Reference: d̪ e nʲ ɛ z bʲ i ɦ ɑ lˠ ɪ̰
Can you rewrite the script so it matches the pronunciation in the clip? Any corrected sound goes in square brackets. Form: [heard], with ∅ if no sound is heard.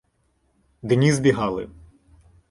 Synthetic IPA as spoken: d̪ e nʲ [i] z bʲ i ɦ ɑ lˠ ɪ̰